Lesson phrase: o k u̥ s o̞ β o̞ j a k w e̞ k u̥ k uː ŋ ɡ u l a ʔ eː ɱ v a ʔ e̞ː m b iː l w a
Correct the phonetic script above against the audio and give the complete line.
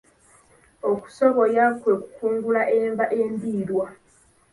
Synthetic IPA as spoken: o k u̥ s o̞ β o̞ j a k w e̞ k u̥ k uː ŋ ɡ u l a ʔ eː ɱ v a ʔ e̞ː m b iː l w a